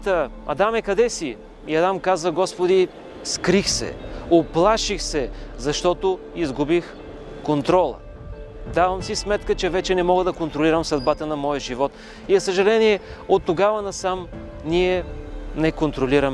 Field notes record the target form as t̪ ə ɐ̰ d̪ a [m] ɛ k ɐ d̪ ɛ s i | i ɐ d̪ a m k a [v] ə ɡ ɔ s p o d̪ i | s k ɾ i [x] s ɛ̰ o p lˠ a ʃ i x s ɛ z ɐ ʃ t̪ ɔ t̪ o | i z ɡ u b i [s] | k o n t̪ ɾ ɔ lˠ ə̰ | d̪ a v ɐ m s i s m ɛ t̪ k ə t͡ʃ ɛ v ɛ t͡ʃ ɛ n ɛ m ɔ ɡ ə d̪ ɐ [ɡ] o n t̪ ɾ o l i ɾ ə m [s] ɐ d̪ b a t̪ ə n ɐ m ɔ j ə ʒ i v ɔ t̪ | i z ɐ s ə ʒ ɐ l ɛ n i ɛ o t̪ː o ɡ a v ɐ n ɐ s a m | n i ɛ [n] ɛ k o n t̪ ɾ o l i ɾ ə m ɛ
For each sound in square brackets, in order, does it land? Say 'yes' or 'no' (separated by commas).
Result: yes, no, yes, no, no, yes, yes